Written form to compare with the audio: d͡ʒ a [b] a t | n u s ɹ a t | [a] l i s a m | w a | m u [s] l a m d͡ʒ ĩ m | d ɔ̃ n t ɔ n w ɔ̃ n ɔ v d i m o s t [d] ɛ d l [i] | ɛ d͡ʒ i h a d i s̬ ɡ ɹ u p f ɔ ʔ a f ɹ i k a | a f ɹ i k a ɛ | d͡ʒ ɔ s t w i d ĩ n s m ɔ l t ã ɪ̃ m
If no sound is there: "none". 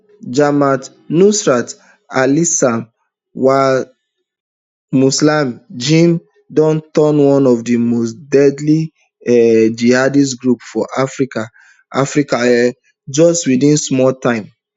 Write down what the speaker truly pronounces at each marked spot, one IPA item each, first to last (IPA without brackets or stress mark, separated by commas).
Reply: m, a, s, d, i